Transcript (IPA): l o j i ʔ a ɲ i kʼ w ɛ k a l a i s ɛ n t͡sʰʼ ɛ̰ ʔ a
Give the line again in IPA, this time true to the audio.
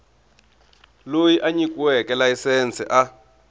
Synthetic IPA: l o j i ʔ a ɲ i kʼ w ɛ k ɛ l a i s ɛ n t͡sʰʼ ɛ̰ ʔ a